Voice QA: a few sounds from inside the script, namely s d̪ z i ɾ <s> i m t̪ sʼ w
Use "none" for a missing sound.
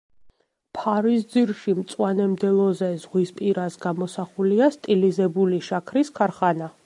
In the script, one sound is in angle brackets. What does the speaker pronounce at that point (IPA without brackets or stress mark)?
ʃ